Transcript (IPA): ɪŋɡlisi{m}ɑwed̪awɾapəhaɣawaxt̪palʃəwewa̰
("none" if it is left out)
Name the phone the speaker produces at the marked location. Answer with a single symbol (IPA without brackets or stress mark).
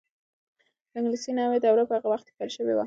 n